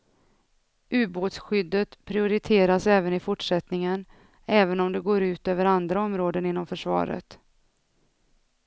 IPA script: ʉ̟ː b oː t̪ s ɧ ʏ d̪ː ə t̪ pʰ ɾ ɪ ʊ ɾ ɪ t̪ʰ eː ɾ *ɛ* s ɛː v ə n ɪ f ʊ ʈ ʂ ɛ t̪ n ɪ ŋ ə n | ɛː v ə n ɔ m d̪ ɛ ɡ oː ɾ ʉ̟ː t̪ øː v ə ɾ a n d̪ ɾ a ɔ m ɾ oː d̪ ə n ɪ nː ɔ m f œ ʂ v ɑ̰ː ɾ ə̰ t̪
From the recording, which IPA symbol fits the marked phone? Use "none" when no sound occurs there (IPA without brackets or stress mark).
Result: a